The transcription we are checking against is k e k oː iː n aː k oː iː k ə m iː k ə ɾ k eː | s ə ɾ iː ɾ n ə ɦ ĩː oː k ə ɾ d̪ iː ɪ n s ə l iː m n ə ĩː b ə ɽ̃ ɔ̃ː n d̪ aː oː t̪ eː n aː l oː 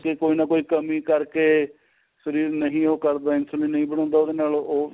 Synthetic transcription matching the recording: k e k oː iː n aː k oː iː k ə m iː k ə ɾ k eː | s ə ɾ iː ɾ n ə ɦ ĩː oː k ə ɾ d̪ aː ɪ n s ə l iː n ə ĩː b ə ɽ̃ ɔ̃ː n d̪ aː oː d̪ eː n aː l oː

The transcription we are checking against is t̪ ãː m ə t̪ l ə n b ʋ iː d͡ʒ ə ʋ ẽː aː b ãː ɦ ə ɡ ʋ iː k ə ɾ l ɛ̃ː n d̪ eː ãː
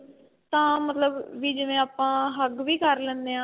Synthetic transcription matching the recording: t̪ ãː m ə t̪ l ə b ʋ iː d͡ʒ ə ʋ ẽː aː p ãː ɦ ə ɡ ʋ iː k ə ɾ l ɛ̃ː n d̪ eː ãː

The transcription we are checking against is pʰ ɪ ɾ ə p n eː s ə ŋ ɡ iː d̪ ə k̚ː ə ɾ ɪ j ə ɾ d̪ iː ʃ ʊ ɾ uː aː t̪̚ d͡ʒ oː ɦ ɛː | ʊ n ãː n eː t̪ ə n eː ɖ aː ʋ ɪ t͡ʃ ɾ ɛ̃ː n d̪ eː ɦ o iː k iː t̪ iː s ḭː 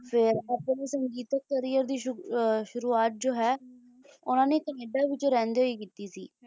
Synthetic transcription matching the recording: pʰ ɪ ɾ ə p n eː s ə ŋ ɡ iː t̪ ə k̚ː ə ɾ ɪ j ə ɾ d̪ iː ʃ ʊ ɾ uː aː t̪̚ d͡ʒ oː ɦ ɛː | ʊ n ãː n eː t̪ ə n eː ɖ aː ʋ ɪ t͡ʃ ɾ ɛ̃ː n d̪ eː ɦ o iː k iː t̪ iː s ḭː

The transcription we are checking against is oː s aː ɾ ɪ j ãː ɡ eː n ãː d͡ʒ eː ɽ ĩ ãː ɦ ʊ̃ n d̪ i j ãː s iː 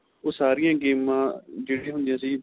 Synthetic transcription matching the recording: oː s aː ɾ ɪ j ãː ɡ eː m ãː d͡ʒ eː ɽ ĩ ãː ɦ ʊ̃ n d̪ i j ãː s iː

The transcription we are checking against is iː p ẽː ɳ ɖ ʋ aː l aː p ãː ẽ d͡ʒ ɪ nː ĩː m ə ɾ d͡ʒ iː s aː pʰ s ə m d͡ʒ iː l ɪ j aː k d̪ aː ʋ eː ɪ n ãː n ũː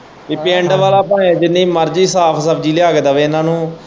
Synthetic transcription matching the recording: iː p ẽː ɳ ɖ ʋ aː l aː p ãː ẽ d͡ʒ ɪ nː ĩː m ə ɾ d͡ʒ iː s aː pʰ s ə b d͡ʒ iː l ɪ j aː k d̪ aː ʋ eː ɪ n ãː n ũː

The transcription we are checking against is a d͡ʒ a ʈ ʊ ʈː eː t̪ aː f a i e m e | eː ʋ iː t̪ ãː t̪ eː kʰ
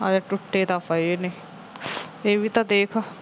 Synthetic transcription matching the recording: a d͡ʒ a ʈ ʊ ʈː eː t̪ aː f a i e n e | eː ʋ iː t̪ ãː d̪ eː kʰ

